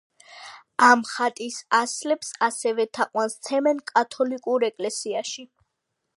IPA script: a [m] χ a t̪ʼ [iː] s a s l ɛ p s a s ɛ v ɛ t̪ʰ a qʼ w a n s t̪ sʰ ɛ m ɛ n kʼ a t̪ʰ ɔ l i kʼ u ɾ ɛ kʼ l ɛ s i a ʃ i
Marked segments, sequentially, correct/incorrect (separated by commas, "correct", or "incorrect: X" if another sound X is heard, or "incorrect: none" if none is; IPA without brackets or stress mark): correct, incorrect: i